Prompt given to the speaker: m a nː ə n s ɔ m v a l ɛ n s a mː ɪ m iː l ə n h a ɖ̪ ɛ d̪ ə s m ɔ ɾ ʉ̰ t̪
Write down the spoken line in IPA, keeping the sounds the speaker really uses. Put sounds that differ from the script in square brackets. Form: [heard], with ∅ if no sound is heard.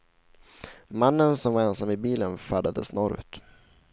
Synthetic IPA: m a nː ə n s ɔ m v a [ɾ] ɛ n s a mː ɪ [b] iː l ə n [f] a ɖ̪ [a] d̪ ə s [n] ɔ ɾ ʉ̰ t̪